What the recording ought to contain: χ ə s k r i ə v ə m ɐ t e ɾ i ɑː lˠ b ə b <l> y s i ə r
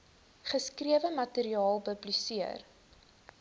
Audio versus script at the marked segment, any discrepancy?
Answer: no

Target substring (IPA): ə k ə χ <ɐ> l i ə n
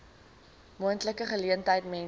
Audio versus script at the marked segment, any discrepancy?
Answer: yes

